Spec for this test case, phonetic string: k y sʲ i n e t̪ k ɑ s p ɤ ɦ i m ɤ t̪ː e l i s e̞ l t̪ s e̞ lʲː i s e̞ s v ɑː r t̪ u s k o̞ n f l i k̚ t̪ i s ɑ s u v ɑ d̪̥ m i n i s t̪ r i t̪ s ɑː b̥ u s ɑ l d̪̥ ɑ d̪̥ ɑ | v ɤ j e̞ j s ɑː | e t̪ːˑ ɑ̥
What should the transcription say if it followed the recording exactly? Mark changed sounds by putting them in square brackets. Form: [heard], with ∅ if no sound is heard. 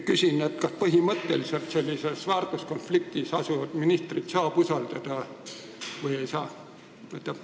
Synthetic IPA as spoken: k y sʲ i n e t̪ k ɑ s p ɤ ɦ i m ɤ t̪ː e l i s e̞ l t̪ s e̞ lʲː i s e̞ s v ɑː r t̪ u s k o̞ n f l i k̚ t̪ i s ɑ s u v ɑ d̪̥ m i n i s t̪ r i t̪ s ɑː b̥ u s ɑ l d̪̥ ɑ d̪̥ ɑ | v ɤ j e̞ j s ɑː | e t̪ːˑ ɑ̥